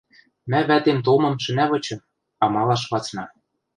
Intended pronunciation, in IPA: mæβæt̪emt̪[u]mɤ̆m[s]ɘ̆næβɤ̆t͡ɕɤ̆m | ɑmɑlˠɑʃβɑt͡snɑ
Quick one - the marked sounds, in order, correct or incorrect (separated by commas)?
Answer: incorrect, incorrect